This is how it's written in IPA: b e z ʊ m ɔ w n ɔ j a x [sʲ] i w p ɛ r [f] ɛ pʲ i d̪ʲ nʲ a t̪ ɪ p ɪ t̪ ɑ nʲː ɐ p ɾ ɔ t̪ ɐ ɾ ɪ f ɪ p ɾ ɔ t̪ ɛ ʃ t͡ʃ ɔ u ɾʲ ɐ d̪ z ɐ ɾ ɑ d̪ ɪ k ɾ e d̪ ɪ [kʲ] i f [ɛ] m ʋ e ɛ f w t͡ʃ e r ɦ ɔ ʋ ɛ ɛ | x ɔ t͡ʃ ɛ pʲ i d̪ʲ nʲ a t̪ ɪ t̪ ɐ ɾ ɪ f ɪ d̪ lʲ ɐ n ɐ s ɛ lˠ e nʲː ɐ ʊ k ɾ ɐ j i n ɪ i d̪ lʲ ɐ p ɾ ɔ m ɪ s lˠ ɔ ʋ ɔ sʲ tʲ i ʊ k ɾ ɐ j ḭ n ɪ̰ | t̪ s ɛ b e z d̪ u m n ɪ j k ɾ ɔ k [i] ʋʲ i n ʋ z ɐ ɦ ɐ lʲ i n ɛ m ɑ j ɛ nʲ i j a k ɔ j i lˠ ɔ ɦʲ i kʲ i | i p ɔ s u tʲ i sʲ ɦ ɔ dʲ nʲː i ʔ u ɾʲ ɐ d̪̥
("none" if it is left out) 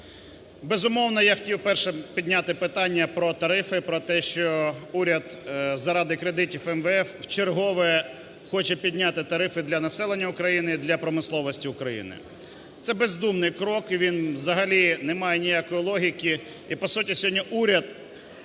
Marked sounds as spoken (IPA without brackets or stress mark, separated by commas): tʲ, ʃ, tʲ, ɛ, i